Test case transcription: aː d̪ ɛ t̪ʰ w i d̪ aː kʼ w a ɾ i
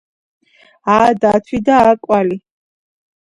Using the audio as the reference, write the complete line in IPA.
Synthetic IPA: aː d̪ a t̪ʰ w i d̪ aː kʼ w a l i